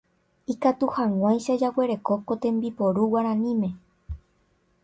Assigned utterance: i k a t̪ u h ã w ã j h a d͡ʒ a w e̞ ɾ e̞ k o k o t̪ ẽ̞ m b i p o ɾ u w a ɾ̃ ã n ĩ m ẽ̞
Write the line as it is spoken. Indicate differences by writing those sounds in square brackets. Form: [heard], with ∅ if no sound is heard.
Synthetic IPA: i k a t̪ u h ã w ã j [ʃ] a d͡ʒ a w e̞ ɾ e̞ k o k o t̪ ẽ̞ m b i p o ɾ u w a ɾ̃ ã n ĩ m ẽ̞